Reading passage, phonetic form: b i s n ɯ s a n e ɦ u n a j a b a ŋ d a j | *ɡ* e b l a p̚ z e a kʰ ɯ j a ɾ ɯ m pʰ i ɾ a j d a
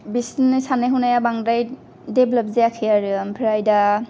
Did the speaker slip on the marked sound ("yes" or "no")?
yes